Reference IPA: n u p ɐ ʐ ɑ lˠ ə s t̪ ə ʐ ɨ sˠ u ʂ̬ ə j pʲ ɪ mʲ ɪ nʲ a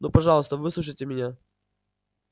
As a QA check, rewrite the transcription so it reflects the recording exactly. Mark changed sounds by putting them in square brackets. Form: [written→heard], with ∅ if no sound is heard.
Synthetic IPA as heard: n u p ɐ ʐ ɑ lˠ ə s t̪ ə [ʐ→v] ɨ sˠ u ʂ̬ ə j [pʲ→tʲ] ɪ mʲ ɪ nʲ a